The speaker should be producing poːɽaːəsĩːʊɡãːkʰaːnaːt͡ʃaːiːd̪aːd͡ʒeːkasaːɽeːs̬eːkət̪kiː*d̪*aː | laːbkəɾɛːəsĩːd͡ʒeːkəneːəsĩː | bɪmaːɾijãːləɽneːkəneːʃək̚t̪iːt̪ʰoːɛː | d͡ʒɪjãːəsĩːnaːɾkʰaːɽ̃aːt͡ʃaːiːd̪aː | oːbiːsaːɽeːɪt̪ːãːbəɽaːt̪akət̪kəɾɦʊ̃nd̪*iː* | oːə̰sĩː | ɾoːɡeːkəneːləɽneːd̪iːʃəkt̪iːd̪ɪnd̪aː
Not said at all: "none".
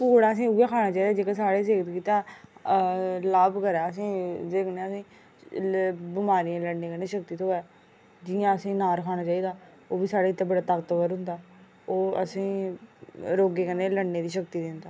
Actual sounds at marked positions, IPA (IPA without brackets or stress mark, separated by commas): t̪, aː